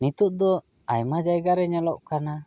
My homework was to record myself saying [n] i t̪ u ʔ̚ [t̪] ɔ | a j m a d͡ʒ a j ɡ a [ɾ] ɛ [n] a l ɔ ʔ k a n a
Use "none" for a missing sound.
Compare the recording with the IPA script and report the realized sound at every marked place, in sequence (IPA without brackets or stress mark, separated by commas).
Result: n, d̪, ɾ, ɲ